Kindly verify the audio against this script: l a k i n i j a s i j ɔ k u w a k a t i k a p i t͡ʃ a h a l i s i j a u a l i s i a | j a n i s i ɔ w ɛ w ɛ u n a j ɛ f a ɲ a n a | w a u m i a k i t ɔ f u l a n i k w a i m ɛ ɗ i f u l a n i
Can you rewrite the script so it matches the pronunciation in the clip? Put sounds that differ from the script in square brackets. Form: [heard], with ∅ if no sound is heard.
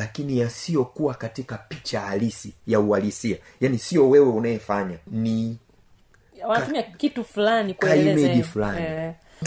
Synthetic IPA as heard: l a k i n i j a s i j ɔ k u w a k a t i k a p i t͡ʃ a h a l i s i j a u a l i s i a | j a n i s i ɔ w ɛ w ɛ u n a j ɛ f a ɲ a n [i] | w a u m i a k i t [u] f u l a n i k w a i m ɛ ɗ i f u l a n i